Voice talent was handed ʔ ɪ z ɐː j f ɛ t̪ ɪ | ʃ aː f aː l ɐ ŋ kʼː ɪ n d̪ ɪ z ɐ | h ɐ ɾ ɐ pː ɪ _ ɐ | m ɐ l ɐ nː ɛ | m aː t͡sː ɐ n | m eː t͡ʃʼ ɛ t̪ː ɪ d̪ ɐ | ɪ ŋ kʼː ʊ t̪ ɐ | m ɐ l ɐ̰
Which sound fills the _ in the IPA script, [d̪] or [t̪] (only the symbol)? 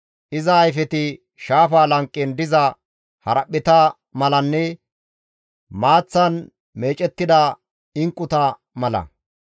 t̪